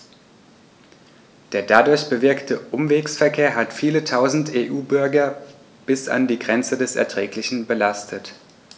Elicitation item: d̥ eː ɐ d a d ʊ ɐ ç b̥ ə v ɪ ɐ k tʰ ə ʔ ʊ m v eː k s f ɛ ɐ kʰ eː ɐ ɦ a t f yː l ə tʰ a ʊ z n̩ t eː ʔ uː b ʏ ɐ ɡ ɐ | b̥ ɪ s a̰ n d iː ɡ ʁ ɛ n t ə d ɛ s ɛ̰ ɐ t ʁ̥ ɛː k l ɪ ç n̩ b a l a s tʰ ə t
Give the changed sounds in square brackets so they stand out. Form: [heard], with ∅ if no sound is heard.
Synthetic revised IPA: d̥ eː ɐ d a d ʊ ɐ ç b̥ ə v ɪ ɐ k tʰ ə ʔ ʊ m v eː k s f ɛ ɐ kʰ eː ɐ ɦ a t f [iː] l ə tʰ a ʊ z n̩ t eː ʔ uː b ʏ ɐ ɡ ɐ | b̥ ɪ s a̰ n d iː ɡ ʁ ɛ n [t͡s] ə d ɛ s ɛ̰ ɐ t ʁ̥ ɛː k l ɪ ç n̩ b [ə] l a s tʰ ə t